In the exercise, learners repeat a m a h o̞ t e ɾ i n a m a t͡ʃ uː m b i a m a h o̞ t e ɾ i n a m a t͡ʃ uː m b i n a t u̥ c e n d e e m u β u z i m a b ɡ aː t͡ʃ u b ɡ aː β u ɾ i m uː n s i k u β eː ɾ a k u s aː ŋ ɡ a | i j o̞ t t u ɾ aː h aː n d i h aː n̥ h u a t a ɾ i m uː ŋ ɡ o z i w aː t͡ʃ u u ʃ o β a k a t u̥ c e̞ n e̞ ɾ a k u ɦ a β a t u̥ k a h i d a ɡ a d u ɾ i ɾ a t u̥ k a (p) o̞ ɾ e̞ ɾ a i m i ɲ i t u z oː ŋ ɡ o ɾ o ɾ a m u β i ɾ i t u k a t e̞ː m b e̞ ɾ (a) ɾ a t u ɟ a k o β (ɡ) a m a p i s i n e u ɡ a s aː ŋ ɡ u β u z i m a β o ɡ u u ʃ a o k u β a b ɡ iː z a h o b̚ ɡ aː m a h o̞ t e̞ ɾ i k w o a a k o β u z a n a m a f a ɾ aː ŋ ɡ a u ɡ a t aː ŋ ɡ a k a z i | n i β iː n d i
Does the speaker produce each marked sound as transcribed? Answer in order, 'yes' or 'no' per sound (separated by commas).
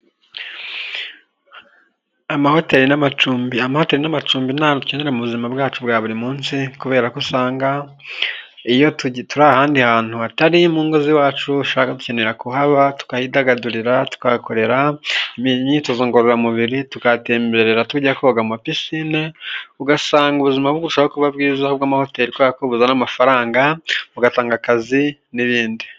no, no, yes